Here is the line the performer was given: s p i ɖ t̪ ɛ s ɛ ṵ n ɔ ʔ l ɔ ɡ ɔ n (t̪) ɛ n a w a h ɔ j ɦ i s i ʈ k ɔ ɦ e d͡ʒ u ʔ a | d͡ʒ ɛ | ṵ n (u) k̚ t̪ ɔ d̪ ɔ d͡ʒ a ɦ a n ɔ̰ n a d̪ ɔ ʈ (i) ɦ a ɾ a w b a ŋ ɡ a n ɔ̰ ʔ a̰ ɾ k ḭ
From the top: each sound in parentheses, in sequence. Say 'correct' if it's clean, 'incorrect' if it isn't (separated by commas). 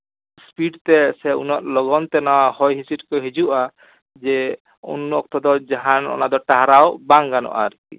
correct, incorrect, incorrect